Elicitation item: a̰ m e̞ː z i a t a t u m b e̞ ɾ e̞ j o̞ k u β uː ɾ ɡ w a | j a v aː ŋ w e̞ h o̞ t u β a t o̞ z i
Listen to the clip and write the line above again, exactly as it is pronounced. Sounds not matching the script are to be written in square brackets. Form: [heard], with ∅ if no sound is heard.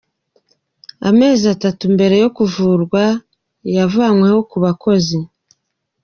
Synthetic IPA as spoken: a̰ m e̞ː z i a t a t u m b e̞ ɾ e̞ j o̞ k u [v] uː ɾ ɡ w a | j a v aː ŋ w e̞ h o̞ [k] u β a [k] o̞ z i